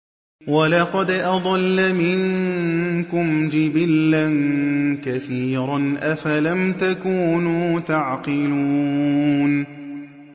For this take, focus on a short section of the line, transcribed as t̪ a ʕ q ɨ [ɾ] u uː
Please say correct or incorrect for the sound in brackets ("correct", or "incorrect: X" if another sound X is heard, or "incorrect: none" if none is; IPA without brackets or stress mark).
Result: incorrect: l